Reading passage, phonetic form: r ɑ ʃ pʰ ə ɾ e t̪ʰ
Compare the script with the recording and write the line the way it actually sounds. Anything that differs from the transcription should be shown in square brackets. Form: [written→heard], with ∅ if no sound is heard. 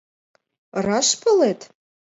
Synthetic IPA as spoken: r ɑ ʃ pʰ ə [ɾ→l] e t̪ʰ